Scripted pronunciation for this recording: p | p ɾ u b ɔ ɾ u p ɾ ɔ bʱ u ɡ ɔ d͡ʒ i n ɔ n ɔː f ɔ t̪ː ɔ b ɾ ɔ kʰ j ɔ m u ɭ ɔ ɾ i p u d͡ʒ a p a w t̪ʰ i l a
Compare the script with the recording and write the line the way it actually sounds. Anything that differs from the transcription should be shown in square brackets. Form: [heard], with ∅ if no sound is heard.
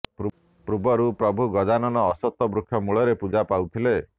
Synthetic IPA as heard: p | p ɾ u b ɔ ɾ u p ɾ ɔ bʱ u ɡ ɔ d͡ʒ [a] n ɔ n ɔː [s] ɔ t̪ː ɔ b ɾ [u] kʰ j ɔ m u ɭ ɔ ɾ [e] p u d͡ʒ a p a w t̪ʰ i l [e]

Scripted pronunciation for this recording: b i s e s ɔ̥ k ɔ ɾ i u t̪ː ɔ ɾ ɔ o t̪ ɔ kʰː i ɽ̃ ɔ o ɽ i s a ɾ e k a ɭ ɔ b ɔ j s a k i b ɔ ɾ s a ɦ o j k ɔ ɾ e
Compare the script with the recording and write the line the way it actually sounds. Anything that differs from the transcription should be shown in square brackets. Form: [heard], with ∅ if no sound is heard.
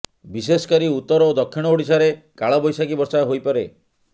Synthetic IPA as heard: b i s e s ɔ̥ k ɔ ɾ i u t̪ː ɔ ɾ ɔ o [d̪] ɔ kʰː i ɽ̃ ɔ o ɽ i s a ɾ e k a ɭ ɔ b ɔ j s a k i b ɔ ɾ s a ɦ o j [p] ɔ ɾ e

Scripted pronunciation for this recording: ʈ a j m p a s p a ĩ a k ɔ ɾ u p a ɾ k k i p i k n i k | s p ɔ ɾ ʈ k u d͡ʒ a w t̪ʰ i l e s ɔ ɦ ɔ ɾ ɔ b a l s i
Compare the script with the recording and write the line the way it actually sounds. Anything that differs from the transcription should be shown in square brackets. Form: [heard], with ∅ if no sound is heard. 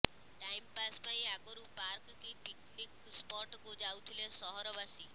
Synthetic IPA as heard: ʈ a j m p a s p a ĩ a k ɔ ɾ u p a ɾ k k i p i k n i k | s p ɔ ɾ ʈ k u d͡ʒ a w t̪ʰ i l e s ɔ ɦ ɔ ɾ ɔ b a [∅] s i

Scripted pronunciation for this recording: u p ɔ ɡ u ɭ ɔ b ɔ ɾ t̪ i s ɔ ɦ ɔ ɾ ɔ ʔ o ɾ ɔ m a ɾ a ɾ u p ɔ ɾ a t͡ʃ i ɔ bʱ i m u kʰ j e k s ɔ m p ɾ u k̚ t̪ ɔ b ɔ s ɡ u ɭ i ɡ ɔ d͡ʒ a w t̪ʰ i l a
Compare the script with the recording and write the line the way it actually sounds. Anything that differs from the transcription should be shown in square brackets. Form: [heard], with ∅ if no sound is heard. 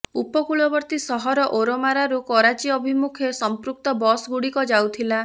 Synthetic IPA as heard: u p ɔ [k] u ɭ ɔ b ɔ ɾ t̪ i s ɔ ɦ ɔ ɾ ɔ ʔ o ɾ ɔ m a ɾ a ɾ u [k] ɔ ɾ a t͡ʃ i ɔ bʱ i m u kʰ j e [∅] s ɔ m p ɾ u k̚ t̪ ɔ b ɔ s ɡ u [ɽ] i [k] ɔ d͡ʒ a w t̪ʰ i l a

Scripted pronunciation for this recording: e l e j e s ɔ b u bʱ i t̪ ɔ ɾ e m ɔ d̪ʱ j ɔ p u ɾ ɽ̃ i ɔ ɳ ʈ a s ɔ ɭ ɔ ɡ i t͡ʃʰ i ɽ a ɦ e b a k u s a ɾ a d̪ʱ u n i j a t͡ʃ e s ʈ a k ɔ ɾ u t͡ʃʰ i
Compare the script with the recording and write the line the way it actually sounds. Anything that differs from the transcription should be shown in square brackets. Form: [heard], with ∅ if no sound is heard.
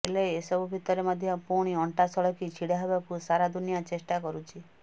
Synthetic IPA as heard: e l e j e s ɔ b u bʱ i t̪ ɔ ɾ e m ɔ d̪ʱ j ɔ p u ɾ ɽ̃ i ɔ ɳ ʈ a s ɔ ɭ ɔ [k] i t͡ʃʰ i ɽ a ɦ e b a k u s a ɾ a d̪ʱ u n i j a t͡ʃ e s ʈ a k ɔ ɾ u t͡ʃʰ i

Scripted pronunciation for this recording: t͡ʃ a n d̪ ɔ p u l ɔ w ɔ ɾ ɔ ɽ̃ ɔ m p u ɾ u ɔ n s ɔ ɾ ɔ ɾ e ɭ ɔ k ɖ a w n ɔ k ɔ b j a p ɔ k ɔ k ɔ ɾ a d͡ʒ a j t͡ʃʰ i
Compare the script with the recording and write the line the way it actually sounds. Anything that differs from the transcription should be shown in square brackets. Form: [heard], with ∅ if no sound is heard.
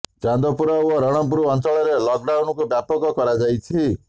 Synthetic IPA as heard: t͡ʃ a n d̪ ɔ p u [ɾ] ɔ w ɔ ɾ ɔ ɽ̃ ɔ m p u ɾ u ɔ n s ɔ [ɭ] ɔ ɾ e [l] ɔ k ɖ a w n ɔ k [u] b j a p ɔ k ɔ k ɔ ɾ a d͡ʒ a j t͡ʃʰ i

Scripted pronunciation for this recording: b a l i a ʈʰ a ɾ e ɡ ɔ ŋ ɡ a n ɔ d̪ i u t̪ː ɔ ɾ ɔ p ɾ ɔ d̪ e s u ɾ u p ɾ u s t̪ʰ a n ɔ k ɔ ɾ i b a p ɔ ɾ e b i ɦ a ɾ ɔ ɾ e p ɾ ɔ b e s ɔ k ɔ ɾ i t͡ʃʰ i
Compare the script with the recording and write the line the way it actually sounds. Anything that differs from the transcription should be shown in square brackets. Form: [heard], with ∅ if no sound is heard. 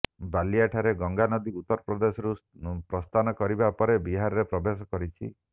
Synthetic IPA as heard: b a l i a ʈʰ a ɾ e ɡ ɔ ŋ ɡ a n ɔ d̪ i u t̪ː ɔ ɾ ɔ p ɾ ɔ d̪ e s [ɔ] ɾ u p ɾ [ɔ] s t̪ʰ a n ɔ k ɔ ɾ i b a p ɔ ɾ e b i ɦ a ɾ ɔ ɾ e p ɾ ɔ b e s ɔ k ɔ ɾ i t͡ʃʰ i

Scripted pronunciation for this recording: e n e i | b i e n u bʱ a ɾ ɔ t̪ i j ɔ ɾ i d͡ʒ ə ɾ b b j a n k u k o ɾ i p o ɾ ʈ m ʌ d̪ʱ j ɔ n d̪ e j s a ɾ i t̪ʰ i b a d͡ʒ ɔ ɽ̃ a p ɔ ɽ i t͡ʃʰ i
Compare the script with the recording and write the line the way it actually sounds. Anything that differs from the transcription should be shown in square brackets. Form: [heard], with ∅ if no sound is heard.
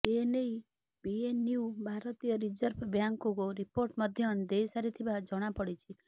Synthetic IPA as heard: e n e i | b i e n u bʱ a ɾ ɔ t̪ i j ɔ ɾ i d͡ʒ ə ɾ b b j a [ŋ] k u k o ɾ i p o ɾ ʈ m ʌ d̪ʱ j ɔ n d̪ e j s a ɾ i t̪ʰ i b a d͡ʒ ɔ ɽ̃ a p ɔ ɽ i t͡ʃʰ i

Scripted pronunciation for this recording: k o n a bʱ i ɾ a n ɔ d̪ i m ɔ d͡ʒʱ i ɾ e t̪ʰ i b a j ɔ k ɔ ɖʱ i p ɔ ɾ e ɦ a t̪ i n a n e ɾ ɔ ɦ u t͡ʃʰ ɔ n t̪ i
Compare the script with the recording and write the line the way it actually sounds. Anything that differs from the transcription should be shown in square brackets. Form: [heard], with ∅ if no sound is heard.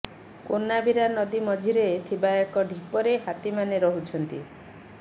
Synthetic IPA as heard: k o n a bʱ i ɾ a n ɔ d̪ i m ɔ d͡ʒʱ i ɾ e t̪ʰ i b a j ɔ k ɔ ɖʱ i p ɔ ɾ e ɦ a t̪ i [m] a n e ɾ ɔ ɦ u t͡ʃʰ ɔ n t̪ i

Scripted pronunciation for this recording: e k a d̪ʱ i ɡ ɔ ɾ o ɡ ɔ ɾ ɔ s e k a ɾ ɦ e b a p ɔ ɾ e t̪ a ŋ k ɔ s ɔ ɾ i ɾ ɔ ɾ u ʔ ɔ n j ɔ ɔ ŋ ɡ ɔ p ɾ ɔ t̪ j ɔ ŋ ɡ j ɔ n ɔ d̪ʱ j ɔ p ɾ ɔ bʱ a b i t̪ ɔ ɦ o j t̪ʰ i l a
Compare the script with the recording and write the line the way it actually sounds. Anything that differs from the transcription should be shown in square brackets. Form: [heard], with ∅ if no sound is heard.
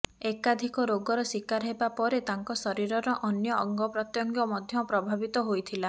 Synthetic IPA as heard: e k a d̪ʱ i [k] ɔ ɾ o ɡ ɔ ɾ ɔ s [i] k a ɾ ɦ e b a p ɔ ɾ e t̪ a ŋ k ɔ s ɔ ɾ i ɾ ɔ ɾ [ɔ] ʔ ɔ n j ɔ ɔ ŋ ɡ ɔ p ɾ ɔ t̪ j ɔ ŋ ɡ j ɔ [m] ɔ d̪ʱ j ɔ p ɾ ɔ bʱ a b i t̪ ɔ ɦ o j t̪ʰ i l a

